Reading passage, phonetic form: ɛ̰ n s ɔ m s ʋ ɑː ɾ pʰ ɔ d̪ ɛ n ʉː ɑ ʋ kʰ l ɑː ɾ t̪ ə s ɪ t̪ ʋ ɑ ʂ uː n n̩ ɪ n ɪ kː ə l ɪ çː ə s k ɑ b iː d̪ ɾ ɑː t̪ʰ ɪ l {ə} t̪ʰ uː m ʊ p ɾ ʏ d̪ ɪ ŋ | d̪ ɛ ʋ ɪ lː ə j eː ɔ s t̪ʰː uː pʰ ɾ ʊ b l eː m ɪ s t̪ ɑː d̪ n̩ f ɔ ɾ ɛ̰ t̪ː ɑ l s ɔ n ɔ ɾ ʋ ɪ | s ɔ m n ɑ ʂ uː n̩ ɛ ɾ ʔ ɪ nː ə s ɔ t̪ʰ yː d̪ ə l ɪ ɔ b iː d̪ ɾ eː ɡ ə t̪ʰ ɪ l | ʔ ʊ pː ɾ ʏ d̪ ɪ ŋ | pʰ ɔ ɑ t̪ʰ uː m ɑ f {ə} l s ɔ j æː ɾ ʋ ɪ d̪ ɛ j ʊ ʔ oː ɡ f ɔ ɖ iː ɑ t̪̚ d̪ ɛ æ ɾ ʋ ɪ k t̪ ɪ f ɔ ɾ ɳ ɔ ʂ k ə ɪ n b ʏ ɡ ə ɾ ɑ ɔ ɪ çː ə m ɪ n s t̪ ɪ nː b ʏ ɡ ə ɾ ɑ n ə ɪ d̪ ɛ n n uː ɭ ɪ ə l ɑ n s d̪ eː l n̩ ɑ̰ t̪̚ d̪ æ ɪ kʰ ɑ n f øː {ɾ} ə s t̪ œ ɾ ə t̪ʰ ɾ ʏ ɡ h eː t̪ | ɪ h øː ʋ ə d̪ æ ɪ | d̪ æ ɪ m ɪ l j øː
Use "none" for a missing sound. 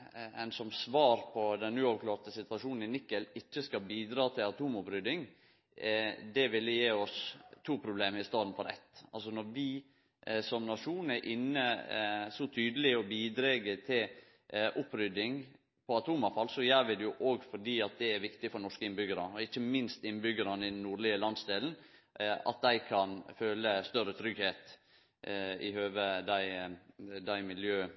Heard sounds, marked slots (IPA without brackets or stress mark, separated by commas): ɑ, ɑ, l